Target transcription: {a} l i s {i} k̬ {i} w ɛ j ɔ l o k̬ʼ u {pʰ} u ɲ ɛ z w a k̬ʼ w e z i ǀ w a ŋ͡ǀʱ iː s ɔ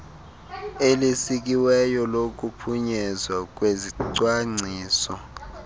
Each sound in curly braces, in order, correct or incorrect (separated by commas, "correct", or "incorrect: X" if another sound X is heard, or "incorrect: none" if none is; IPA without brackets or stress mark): incorrect: e, correct, correct, correct